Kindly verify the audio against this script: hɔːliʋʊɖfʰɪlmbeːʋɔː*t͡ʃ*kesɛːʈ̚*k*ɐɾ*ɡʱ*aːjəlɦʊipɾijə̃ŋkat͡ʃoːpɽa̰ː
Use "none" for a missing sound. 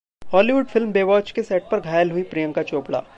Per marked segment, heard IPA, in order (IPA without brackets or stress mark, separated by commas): t͡ʃ, p, ɡʱ